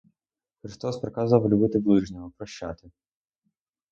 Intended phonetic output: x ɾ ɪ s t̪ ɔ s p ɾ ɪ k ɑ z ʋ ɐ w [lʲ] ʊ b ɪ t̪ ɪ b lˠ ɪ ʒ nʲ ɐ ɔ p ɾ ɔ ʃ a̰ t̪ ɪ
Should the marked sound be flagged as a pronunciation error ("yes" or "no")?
no